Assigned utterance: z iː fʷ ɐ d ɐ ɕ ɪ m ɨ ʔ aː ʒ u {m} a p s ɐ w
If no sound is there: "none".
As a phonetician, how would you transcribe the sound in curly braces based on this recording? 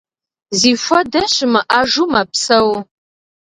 m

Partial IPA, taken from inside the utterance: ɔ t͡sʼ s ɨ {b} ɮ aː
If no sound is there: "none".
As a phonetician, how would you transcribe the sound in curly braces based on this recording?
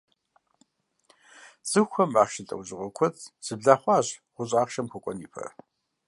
b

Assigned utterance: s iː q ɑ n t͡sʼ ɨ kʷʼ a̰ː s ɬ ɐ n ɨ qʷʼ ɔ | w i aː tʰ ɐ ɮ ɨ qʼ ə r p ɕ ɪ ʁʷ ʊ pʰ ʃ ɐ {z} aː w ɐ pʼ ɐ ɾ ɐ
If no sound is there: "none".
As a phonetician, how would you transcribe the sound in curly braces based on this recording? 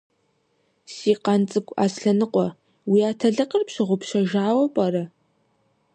ʒ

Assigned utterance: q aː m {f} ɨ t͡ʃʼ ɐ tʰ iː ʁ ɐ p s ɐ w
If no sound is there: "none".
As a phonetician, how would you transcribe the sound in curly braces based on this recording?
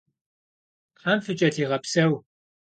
f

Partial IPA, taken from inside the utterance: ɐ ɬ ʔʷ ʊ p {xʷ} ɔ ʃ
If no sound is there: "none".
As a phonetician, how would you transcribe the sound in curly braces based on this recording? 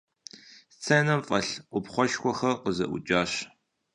χʷ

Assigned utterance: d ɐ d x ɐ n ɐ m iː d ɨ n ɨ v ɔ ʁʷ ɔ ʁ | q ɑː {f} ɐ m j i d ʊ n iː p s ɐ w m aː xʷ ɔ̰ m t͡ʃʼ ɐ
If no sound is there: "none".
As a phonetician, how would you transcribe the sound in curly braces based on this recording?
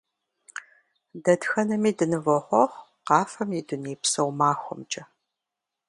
f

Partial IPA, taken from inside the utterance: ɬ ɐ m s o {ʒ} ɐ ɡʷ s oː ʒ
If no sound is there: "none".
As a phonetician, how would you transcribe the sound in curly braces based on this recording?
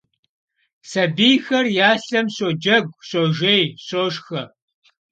d͡ʒ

